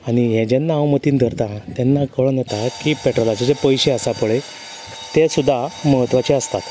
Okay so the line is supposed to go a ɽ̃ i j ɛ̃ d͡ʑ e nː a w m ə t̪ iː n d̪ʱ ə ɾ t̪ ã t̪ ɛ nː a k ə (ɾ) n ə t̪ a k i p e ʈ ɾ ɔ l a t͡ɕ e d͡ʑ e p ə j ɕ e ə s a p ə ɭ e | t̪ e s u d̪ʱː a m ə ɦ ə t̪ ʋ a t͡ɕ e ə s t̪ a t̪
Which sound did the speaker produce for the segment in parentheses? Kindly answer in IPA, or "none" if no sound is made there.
ɭ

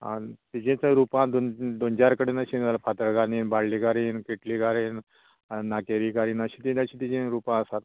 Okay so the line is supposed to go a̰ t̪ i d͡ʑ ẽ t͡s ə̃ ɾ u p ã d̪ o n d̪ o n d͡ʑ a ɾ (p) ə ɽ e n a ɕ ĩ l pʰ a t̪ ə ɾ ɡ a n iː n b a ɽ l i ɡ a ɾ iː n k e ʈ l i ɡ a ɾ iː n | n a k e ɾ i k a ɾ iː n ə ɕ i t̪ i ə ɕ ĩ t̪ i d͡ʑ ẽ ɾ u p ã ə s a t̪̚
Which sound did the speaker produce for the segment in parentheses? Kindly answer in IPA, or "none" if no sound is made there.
k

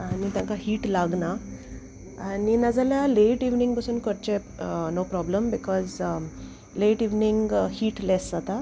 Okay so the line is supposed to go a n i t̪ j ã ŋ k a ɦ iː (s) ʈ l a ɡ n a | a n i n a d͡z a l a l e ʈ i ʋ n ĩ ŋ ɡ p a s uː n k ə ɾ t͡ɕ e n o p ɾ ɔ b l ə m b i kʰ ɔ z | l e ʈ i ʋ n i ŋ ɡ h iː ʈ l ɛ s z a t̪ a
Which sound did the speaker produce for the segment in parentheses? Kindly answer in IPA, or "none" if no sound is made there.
none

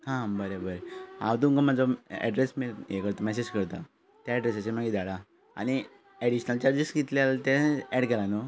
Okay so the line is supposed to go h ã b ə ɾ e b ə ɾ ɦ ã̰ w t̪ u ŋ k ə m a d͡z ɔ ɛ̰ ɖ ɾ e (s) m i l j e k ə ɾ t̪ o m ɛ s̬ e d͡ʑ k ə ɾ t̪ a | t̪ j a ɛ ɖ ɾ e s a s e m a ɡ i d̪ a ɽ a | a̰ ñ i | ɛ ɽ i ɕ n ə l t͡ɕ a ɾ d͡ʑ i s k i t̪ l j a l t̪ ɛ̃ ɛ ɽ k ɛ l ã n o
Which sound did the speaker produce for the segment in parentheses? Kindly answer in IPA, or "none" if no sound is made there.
s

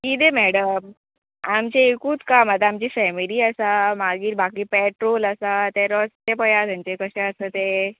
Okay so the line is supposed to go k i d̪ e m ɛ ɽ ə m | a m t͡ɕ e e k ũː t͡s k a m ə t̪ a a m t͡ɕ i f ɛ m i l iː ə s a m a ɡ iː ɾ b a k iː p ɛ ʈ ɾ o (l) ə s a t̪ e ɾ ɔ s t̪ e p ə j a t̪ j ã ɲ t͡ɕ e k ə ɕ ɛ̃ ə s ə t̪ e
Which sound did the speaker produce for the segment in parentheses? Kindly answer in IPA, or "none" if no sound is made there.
l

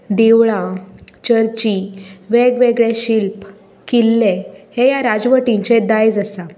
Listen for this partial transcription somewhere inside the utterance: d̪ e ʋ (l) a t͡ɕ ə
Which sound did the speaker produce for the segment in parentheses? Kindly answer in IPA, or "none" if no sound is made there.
ɭ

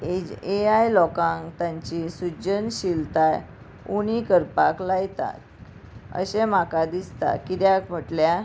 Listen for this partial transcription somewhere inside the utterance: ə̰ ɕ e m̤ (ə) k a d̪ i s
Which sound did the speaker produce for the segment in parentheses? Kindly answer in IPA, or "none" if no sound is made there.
a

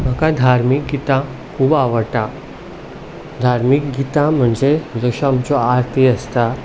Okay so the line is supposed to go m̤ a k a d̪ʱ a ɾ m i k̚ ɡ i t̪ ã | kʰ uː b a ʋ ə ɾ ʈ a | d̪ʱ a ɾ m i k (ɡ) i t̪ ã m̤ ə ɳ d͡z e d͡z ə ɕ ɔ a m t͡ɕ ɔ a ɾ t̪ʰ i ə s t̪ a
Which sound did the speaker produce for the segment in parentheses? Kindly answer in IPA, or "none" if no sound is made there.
ɡ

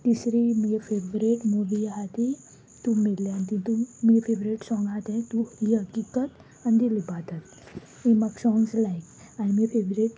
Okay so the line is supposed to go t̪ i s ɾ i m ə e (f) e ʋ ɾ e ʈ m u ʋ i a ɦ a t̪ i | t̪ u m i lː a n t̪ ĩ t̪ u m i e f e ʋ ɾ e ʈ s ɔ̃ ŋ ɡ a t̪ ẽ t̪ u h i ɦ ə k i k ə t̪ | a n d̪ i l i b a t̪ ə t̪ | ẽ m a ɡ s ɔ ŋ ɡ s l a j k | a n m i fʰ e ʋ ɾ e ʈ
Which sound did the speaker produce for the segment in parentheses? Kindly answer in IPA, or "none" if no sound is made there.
f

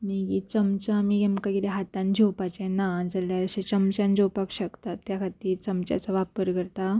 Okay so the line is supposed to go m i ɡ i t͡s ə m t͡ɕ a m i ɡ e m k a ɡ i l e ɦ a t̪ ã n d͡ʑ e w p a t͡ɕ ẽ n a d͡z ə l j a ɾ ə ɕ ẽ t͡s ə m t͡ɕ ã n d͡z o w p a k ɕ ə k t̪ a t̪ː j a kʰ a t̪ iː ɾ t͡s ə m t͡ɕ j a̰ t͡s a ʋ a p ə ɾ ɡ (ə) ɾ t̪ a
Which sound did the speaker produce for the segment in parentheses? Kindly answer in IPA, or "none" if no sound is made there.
ə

